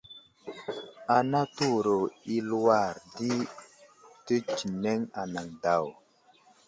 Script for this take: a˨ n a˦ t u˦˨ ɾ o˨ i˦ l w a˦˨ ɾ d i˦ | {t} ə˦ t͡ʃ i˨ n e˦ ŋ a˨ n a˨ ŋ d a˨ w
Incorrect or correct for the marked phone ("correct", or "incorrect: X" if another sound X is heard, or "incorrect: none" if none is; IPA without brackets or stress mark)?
correct